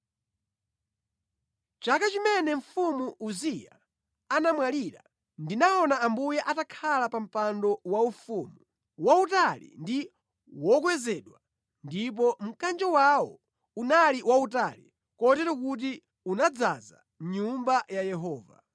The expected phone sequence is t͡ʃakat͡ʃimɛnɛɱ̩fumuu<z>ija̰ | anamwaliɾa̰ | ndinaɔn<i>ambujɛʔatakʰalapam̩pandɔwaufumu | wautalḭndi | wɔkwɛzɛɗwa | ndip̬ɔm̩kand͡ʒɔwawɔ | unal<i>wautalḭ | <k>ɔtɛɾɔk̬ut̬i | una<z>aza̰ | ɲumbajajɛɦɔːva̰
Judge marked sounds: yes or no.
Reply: yes, no, yes, yes, no

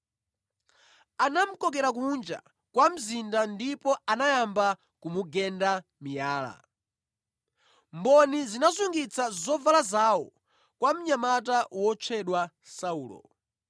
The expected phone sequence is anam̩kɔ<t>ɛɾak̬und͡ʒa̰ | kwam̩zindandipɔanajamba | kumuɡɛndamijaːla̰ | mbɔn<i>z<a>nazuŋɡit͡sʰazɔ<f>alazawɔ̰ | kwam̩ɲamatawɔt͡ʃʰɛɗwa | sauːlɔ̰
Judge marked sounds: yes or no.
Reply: no, yes, no, no

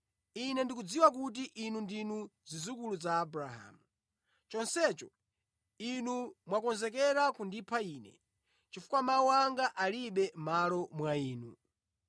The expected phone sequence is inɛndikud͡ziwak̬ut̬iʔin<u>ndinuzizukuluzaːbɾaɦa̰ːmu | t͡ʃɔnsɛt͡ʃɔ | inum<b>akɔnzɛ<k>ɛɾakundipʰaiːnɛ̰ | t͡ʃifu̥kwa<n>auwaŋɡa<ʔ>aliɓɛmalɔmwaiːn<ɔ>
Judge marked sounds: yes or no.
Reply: yes, no, yes, no, yes, no

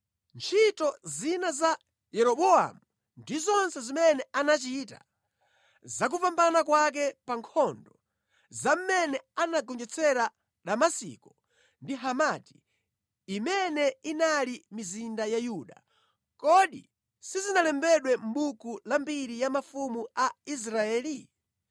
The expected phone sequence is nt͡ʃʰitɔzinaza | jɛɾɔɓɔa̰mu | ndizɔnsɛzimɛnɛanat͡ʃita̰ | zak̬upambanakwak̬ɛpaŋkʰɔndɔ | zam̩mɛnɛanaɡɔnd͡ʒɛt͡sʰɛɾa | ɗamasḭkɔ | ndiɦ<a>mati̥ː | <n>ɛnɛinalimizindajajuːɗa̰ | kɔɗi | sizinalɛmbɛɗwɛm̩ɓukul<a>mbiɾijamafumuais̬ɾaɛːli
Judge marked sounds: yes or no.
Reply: yes, no, yes

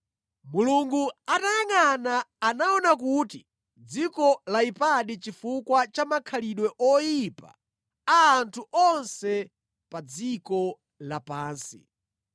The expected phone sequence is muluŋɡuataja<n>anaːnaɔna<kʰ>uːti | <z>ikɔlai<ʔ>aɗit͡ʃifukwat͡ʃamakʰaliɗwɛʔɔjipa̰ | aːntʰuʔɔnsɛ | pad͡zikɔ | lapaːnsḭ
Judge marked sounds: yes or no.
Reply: no, no, no, no

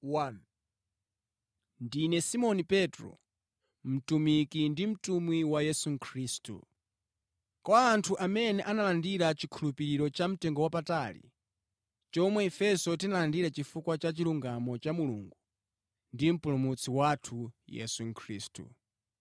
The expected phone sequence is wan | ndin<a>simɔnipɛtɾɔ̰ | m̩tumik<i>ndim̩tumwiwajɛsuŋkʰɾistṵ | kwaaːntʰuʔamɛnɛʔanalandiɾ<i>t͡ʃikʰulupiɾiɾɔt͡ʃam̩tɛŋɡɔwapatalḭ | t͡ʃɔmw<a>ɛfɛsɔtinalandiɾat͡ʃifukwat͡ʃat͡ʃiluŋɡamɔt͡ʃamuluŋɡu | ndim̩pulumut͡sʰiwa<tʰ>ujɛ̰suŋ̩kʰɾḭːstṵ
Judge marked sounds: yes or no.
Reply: no, yes, no, no, yes

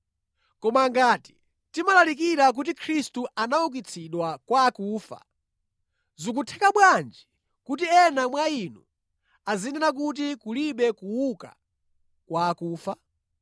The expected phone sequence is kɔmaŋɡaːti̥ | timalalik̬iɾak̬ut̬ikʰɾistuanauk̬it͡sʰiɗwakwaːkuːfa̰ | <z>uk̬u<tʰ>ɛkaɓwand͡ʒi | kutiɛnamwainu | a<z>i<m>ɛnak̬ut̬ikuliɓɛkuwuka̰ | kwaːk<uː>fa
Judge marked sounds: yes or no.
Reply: yes, yes, yes, no, yes

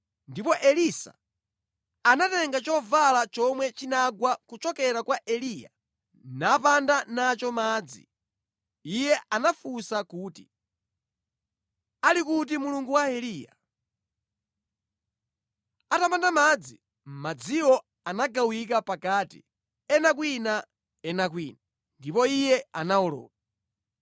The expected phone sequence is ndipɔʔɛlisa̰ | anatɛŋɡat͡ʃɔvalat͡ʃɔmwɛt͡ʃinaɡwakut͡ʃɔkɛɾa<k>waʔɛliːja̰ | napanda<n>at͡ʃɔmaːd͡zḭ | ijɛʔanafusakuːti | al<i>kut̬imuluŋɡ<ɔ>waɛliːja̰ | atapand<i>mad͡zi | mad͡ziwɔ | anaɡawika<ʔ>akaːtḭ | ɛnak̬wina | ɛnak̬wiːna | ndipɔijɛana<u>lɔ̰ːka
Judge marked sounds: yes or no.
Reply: yes, yes, yes, no, no, no, no

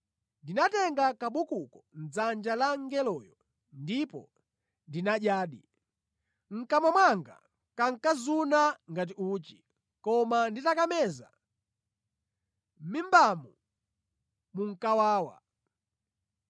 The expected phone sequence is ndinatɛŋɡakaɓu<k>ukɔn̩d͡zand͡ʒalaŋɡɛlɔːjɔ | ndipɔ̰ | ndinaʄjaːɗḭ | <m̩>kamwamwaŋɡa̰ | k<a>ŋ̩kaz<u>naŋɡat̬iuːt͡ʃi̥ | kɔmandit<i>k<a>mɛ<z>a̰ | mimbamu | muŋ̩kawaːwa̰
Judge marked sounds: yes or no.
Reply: yes, no, yes, yes, no, yes, yes

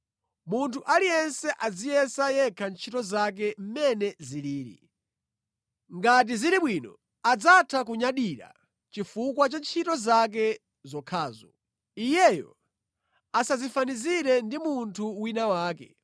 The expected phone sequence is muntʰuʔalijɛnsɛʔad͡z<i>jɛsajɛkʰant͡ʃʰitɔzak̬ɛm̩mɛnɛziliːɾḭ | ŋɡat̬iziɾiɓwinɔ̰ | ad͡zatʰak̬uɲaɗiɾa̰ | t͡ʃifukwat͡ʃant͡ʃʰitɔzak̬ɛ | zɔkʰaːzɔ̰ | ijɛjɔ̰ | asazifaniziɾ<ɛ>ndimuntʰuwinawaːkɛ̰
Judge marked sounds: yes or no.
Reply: yes, yes

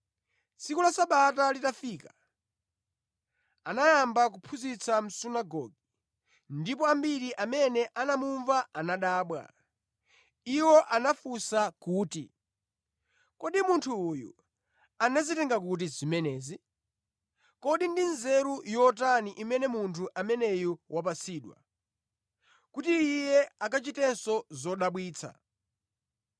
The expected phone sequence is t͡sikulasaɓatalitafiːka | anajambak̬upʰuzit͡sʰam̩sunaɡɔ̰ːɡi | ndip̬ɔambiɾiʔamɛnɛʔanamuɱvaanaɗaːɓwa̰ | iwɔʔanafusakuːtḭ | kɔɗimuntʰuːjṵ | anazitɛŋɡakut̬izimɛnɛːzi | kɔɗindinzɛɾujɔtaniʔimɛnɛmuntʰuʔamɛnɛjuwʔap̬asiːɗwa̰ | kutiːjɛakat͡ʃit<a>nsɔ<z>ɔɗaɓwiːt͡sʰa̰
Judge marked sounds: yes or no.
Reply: no, yes

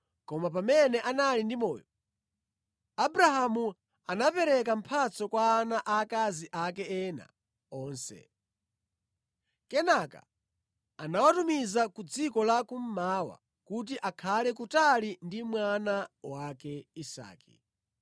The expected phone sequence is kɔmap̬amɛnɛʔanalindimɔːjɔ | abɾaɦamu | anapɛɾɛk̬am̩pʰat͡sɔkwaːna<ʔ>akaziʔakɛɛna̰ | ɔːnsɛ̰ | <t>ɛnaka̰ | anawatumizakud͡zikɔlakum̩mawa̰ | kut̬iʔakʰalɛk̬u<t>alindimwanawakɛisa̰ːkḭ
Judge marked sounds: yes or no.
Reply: yes, no, yes

